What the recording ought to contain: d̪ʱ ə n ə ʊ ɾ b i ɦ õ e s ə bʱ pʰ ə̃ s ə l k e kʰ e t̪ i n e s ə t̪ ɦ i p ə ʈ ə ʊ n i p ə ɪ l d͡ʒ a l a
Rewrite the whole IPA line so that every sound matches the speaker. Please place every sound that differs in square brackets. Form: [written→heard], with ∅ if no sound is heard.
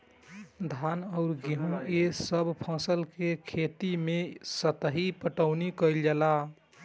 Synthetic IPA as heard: d̪ʱ [ə→a] n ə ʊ ɾ [b→ɡ] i ɦ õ e s ə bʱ pʰ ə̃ s ə l k e kʰ e t̪ i [n→m] e s ə t̪ ɦ i p ə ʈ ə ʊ n i [p→k] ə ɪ l d͡ʒ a l a